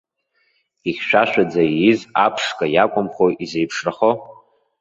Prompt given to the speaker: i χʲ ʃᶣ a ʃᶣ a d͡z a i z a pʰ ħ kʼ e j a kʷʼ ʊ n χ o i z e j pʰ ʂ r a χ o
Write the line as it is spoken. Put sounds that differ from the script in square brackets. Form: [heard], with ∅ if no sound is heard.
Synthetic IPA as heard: i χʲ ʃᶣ a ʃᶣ a d͡z a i z a pʰ [ʂ] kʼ [a] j a kʷʼ ʊ [m] χ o i z e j pʰ ʂ r a χ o